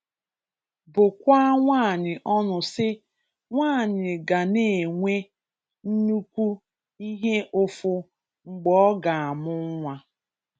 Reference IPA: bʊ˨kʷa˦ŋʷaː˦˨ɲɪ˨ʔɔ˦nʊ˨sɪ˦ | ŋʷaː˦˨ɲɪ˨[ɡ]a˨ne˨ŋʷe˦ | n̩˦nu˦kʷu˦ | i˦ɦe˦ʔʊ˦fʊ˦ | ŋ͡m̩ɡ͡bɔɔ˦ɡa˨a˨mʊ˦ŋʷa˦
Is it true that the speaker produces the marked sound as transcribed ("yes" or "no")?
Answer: yes